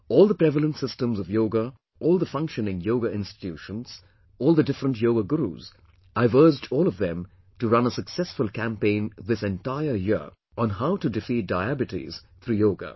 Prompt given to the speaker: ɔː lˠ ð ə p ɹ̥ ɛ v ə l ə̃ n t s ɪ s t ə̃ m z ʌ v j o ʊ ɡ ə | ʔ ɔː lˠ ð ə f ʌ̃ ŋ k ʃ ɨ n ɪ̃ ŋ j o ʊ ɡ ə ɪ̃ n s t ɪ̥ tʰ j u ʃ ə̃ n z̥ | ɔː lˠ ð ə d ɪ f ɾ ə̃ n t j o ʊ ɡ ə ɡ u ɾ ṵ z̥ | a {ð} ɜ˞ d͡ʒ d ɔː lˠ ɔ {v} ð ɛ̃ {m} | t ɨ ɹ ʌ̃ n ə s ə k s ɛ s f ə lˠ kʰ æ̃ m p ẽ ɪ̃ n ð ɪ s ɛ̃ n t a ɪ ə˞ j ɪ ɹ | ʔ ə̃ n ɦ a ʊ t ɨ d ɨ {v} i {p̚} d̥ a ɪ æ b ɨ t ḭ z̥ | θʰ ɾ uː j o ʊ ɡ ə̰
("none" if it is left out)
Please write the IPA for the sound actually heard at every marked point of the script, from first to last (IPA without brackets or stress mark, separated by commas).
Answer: v, v, m, f, t̚